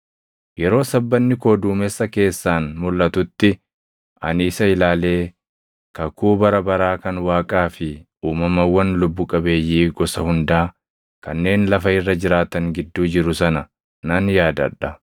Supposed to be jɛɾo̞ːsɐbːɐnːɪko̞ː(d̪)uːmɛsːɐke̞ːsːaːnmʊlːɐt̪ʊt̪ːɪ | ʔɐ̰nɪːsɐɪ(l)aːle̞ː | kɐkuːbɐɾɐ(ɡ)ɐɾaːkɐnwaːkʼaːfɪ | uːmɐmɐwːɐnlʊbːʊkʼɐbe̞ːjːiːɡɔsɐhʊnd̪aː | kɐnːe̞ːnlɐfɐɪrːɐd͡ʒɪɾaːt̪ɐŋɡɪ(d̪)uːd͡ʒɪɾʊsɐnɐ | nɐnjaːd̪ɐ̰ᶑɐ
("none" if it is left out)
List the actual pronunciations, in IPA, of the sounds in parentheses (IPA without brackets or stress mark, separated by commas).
d̪, l, b, d̪ː